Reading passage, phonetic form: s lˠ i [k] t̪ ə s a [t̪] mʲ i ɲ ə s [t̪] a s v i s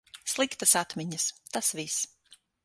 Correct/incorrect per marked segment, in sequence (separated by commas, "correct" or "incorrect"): correct, correct, correct